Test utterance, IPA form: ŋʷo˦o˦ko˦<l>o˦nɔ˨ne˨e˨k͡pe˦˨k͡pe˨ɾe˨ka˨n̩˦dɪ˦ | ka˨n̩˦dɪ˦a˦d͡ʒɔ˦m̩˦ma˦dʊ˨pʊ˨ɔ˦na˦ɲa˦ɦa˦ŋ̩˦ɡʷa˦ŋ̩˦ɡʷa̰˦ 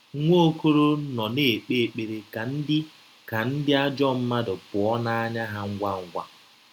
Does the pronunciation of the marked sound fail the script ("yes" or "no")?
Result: yes